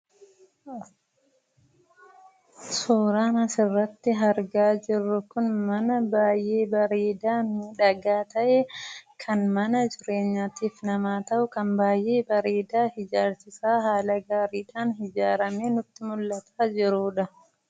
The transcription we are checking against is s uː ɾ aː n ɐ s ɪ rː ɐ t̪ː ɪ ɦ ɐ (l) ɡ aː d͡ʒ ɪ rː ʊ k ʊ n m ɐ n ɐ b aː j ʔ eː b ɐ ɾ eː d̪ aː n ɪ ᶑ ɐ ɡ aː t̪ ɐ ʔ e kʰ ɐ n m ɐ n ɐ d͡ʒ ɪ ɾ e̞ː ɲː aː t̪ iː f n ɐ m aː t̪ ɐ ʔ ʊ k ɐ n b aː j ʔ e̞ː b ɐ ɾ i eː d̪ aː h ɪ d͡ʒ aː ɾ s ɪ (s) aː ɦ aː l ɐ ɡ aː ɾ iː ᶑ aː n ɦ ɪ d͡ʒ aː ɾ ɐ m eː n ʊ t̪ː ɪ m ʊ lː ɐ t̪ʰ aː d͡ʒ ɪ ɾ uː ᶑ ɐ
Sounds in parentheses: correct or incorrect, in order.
incorrect, correct

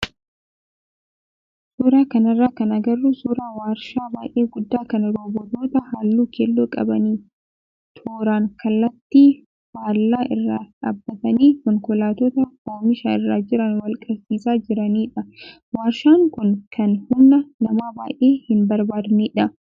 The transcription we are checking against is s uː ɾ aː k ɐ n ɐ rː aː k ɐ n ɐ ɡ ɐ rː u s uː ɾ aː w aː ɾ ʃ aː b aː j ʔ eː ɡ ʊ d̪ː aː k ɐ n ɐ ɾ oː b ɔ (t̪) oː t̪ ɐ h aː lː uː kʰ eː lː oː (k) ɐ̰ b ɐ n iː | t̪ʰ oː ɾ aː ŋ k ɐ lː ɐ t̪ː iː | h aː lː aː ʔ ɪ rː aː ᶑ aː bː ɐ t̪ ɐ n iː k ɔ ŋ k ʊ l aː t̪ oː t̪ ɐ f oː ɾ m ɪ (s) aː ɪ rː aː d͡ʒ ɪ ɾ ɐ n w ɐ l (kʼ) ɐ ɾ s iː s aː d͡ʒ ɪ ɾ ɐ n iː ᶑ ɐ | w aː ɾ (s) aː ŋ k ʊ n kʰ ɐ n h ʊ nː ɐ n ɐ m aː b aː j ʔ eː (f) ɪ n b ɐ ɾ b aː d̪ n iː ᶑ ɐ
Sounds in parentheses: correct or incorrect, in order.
correct, incorrect, incorrect, correct, incorrect, incorrect

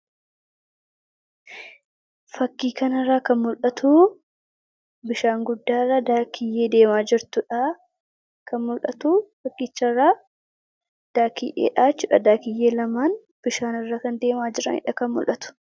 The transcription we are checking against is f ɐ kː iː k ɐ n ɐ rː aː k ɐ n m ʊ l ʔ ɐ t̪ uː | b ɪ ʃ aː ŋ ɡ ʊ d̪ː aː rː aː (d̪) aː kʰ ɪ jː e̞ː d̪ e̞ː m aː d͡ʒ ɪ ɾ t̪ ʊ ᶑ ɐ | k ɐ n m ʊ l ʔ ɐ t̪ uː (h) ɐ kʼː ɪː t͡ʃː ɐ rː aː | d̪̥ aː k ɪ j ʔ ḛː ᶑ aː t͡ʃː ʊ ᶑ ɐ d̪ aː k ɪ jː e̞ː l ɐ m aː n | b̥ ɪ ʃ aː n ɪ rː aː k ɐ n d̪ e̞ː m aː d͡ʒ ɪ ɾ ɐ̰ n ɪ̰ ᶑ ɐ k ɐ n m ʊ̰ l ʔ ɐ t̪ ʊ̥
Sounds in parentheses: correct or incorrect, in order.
correct, incorrect

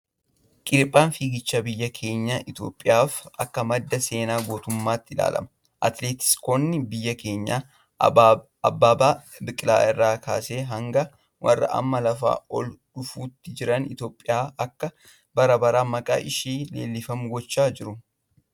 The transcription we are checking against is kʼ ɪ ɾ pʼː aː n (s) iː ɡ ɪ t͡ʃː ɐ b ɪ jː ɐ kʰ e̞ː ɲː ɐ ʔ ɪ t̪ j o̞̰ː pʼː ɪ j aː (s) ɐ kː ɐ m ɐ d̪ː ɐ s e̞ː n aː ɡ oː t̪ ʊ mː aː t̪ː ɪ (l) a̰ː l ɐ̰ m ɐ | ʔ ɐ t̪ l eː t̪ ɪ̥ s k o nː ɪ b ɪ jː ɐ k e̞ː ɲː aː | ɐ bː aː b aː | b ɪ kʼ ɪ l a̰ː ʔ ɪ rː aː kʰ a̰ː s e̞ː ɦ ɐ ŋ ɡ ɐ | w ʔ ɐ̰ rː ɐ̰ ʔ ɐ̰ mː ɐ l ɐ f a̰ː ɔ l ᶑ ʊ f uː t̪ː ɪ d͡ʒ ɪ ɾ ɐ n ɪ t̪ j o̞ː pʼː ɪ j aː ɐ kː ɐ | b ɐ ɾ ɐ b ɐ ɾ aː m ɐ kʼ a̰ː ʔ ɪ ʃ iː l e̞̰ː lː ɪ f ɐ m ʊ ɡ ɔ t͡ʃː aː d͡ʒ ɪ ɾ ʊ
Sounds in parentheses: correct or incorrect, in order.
incorrect, incorrect, correct

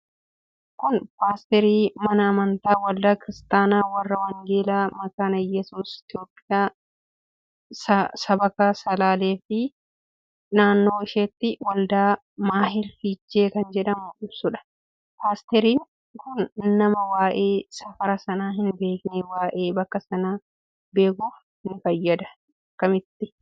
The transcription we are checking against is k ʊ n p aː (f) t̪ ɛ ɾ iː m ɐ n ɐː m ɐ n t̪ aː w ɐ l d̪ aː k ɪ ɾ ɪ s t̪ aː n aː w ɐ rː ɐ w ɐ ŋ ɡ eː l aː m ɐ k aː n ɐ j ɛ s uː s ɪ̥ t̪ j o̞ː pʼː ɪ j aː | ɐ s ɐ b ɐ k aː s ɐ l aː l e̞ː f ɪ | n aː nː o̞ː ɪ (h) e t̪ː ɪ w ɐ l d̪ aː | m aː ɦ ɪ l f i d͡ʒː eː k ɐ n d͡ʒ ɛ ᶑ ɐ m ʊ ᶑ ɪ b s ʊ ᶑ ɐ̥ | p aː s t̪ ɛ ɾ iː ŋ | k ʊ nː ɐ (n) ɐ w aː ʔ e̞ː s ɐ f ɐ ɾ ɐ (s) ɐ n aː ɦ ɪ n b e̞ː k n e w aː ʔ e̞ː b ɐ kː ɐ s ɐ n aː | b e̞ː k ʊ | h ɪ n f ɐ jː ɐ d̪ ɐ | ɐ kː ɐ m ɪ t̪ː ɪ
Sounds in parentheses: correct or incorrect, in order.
incorrect, incorrect, incorrect, correct

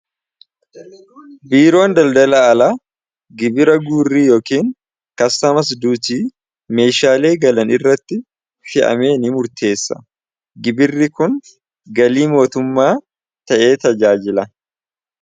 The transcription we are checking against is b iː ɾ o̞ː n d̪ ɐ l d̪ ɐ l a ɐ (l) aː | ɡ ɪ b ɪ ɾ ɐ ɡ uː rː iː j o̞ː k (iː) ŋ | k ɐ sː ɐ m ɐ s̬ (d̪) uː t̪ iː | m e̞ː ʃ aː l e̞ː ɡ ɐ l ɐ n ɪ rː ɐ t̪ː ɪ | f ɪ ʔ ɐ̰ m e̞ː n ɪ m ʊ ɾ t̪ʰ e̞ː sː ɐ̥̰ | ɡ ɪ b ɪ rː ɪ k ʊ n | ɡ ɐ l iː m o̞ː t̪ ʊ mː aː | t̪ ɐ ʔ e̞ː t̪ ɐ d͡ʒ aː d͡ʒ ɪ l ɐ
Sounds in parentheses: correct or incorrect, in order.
correct, correct, correct

